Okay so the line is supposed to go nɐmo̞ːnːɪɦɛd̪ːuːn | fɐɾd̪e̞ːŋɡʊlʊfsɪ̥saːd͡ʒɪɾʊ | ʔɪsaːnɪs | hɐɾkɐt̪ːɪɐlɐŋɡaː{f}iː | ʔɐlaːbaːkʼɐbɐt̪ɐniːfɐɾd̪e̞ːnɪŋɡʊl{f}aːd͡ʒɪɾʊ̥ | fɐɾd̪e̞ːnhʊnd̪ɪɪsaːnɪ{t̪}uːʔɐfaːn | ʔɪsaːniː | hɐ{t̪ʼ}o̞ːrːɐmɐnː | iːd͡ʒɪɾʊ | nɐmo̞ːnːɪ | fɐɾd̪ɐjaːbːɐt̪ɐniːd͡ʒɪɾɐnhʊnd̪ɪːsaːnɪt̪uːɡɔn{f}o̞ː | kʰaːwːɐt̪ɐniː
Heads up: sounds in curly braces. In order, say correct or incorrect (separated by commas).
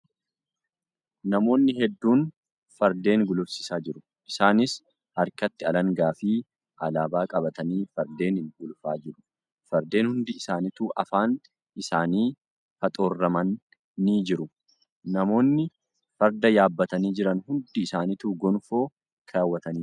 correct, correct, correct, correct, correct